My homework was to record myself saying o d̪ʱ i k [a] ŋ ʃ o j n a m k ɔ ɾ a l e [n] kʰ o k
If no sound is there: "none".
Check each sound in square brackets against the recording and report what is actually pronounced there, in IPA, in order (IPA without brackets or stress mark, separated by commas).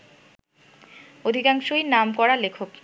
a, none